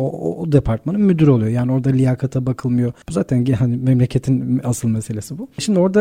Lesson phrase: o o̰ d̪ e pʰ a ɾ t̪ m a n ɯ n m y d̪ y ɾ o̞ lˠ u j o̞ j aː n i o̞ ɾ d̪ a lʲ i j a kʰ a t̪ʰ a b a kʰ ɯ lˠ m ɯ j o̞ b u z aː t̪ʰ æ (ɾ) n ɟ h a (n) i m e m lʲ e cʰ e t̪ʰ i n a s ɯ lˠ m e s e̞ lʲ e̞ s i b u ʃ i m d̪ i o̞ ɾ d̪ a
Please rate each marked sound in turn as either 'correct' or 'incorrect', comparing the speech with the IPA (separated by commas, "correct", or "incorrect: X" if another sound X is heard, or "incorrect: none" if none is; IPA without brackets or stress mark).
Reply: incorrect: none, correct